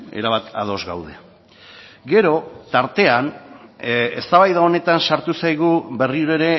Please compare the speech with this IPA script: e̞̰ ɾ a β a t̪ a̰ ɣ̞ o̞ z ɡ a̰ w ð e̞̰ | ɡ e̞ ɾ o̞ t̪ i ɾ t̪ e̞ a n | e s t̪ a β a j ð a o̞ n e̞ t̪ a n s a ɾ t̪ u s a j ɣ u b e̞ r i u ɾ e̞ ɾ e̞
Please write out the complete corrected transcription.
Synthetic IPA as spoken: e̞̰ ɾ a β a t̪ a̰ ð̞ o̞ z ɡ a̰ w ð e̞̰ | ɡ e̞ ɾ o̞ t̪ a ɾ t̪ e̞ a n | e s t̪ a β a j ð a o̞ n e̞ t̪ a n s a ɾ t̪ u s a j ɣ u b e̞ r i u ɾ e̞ ɾ e̞